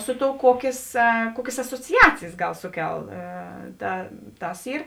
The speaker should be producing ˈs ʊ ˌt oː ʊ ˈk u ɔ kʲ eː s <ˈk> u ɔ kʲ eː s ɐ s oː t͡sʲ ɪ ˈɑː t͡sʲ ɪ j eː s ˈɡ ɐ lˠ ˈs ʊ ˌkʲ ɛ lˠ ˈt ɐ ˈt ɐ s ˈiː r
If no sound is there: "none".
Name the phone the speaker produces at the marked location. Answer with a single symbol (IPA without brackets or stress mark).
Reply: k